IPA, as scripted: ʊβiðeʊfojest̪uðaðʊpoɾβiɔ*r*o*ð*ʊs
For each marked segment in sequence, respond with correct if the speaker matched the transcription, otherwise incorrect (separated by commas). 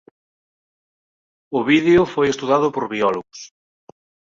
incorrect, incorrect